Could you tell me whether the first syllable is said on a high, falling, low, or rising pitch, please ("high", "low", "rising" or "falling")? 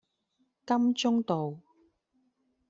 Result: high